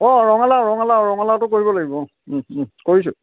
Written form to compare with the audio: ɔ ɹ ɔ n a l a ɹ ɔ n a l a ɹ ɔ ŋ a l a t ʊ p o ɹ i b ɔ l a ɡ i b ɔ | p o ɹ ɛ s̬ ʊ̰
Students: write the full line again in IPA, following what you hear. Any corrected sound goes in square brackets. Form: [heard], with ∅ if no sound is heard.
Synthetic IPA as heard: ɔ ɹ ɔ [ŋ] a l a ɹ ɔ [ŋ] a l a ɹ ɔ ŋ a l a t ʊ [k] o ɹ i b ɔ l a ɡ i b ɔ | [k] o ɹ [i] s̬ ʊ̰